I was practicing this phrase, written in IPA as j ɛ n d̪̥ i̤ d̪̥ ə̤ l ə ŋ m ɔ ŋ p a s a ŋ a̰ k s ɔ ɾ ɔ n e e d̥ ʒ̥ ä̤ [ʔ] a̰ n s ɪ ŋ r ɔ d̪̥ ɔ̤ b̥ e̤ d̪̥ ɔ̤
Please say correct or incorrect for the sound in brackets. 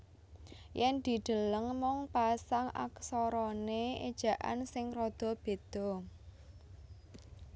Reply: correct